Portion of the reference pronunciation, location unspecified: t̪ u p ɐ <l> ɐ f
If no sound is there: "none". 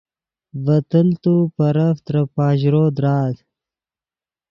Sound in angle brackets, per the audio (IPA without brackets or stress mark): ɾ